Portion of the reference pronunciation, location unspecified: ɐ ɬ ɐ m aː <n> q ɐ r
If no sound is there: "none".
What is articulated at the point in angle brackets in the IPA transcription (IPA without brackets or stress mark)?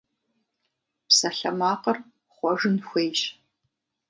none